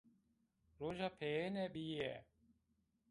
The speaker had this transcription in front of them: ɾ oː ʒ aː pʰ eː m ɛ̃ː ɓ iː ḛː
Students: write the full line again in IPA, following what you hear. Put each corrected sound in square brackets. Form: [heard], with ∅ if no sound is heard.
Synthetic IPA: ɾ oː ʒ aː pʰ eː [n] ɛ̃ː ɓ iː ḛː